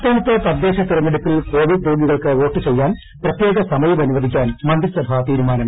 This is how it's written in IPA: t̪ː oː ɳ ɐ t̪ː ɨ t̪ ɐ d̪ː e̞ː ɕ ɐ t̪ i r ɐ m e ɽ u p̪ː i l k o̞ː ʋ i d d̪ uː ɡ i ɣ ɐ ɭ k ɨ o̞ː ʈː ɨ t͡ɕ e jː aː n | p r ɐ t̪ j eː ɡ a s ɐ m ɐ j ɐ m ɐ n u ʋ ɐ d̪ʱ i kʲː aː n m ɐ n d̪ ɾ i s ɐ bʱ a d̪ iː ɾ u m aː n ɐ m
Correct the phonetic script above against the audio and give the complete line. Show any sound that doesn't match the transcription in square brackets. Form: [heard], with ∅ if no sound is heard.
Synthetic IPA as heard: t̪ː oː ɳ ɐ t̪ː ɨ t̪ ɐ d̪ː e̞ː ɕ ɐ t̪ i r ɐ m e ɽ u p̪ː i l k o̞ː ʋ i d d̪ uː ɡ i ɣ ɐ ɭ k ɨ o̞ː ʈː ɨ t͡ɕ e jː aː n | p r ɐ t̪ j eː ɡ [ɐ] s ɐ m ɐ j ɐ m ɐ n u ʋ ɐ d̪ʱ i kʲː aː n m ɐ n d̪ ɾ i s ɐ bʱ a [t̪] iː ɾ u m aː n ɐ m